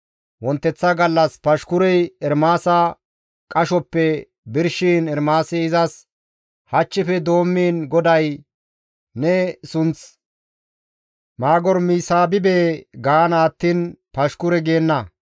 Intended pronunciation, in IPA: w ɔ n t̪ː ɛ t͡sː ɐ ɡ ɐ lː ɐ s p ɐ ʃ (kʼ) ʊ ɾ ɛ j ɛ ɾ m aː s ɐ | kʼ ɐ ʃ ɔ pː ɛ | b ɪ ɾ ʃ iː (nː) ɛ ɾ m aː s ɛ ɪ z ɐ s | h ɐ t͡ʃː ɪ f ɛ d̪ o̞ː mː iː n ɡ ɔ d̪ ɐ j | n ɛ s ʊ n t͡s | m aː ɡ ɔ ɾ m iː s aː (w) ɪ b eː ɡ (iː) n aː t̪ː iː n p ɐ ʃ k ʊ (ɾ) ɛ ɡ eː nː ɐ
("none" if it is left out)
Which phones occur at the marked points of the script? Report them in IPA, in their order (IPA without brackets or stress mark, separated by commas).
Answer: k, n, b, aː, ɾ